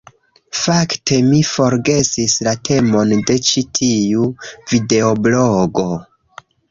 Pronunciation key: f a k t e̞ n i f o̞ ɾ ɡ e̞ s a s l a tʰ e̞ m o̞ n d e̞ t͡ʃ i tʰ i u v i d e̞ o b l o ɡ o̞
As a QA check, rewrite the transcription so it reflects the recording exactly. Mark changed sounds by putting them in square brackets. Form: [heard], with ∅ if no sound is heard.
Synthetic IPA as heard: f a k t e̞ [m] i f o̞ ɾ ɡ e̞ s [i] s l a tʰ e̞ m o̞ n d e̞ t͡ʃ i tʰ i u v i d e̞ o b l o ɡ o̞